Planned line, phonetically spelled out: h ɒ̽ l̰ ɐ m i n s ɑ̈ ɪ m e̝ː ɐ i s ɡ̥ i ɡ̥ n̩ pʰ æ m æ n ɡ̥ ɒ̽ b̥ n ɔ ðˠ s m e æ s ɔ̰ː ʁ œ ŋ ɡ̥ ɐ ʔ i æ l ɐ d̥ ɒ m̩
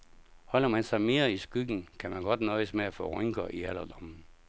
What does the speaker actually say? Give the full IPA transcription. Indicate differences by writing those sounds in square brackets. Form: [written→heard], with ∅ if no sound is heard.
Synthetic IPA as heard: h ɒ̽ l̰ ɐ m [i→æ] n s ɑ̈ ɪ m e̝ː ɐ i s ɡ̥ [i→y] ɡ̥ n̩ [pʰ→kʰ] æ m æ n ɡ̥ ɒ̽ [b̥→d̥] n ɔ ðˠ s m e æ [s→f] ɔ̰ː ʁ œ ŋ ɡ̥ ɐ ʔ i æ l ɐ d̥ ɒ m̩

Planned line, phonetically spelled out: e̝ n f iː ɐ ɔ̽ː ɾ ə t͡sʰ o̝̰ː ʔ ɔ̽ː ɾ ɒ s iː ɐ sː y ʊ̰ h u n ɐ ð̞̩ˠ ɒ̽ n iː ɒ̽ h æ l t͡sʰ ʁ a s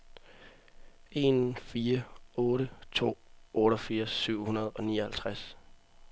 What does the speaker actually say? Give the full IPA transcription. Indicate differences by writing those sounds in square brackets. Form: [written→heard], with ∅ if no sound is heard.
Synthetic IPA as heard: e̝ n f iː ɐ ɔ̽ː ɾ ə t͡sʰ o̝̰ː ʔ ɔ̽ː ɾ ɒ [s→f] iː ɐ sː y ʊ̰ h u n ɐ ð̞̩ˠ ɒ̽ n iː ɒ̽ h æ l t͡sʰ ʁ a s

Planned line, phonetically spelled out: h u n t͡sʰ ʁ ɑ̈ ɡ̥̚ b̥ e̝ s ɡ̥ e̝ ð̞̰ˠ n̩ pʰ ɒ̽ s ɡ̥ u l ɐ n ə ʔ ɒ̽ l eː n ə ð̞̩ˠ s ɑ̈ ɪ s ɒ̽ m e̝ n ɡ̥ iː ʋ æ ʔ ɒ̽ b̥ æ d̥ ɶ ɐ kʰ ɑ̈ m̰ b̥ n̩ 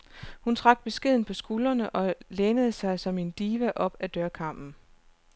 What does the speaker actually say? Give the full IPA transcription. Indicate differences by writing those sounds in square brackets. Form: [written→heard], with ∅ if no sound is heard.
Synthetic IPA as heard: h u n t͡sʰ ʁ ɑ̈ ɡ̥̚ b̥ e̝ s ɡ̥ e̝ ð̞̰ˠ n̩ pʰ ɒ̽ s ɡ̥ u l ɐ n ə ʔ ɒ̽ l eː n ə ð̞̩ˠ s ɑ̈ ɪ s ɒ̽ m e̝ n [ɡ̥→d̥] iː ʋ æ ʔ ɒ̽ b̥ æ d̥ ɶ ɐ kʰ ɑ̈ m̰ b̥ n̩

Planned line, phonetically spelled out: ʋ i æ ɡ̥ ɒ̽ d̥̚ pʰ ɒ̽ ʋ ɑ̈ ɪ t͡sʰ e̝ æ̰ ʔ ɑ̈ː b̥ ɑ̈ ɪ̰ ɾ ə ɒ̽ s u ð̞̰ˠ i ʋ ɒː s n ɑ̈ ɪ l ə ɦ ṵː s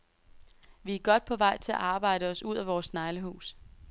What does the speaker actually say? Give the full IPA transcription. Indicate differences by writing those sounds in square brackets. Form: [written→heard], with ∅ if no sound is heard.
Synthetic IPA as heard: ʋ i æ ɡ̥ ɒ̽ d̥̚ pʰ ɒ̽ ʋ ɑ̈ ɪ t͡sʰ e̝ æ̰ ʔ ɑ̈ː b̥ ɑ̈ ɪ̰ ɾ ə ɒ̽ s u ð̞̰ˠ [i→æ] ʋ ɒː s n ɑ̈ ɪ l ə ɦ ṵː s

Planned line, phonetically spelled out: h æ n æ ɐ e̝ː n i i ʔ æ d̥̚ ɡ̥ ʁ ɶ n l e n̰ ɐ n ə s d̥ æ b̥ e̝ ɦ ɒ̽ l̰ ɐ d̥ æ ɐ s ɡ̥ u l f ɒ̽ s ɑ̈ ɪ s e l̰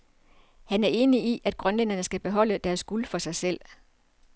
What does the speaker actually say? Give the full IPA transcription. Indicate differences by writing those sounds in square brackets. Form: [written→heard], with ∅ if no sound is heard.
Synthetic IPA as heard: h æ n æ ɐ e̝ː n i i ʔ æ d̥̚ ɡ̥ ʁ ɶ n l e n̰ ɐ n ə s [d̥→ɡ̥] æ b̥ e̝ ɦ ɒ̽ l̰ [ɐ→ə] d̥ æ ɐ s ɡ̥ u l f ɒ̽ s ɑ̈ ɪ s e l̰

